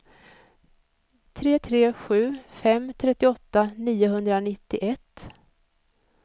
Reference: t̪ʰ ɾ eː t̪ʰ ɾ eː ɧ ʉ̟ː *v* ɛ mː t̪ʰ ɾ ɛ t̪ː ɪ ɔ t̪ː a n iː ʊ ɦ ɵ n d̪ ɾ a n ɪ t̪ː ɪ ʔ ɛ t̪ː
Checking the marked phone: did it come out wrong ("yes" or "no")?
yes